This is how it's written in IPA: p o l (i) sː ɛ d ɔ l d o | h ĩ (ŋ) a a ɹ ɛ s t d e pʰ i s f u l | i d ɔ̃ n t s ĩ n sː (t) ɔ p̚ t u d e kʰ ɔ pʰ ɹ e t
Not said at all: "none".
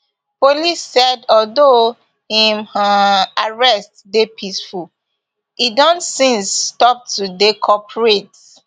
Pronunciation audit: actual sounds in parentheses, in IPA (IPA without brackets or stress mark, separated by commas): i, m, t